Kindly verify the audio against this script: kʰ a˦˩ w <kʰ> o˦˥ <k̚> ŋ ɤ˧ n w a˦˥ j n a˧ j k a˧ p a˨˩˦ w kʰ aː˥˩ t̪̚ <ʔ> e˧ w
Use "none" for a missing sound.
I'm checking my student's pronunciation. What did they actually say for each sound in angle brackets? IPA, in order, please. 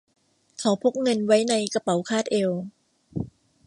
pʰ, k̚, ʔ

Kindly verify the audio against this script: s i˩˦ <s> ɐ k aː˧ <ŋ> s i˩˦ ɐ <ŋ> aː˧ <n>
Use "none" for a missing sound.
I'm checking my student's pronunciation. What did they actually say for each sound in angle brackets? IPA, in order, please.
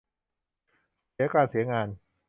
none, n, ŋ, n

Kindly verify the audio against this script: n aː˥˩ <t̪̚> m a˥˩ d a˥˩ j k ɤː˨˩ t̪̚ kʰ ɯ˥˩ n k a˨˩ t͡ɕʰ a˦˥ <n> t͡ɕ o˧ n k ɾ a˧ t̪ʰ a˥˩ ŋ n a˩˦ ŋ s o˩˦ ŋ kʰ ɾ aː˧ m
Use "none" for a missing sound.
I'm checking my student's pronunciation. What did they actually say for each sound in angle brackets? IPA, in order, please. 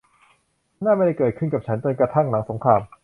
none, n

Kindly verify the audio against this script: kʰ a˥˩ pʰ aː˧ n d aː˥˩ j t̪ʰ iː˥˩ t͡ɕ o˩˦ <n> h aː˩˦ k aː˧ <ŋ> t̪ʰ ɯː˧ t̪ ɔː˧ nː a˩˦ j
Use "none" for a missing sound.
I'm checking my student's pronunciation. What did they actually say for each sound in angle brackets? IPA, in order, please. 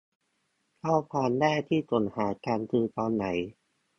n, n

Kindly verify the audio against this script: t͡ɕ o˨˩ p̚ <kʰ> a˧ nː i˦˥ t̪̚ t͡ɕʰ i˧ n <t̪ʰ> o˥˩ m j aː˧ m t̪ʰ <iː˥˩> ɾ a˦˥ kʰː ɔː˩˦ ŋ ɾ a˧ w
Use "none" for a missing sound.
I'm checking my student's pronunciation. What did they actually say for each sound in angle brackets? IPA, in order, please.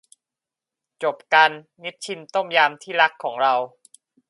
k, t̪, iː˥˩

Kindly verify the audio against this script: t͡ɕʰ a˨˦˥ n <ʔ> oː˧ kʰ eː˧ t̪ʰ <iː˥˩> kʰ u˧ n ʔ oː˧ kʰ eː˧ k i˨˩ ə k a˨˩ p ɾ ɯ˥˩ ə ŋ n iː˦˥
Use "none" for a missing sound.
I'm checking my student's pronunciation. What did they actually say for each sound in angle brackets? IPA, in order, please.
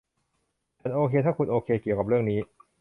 ʔ, aː˥˩

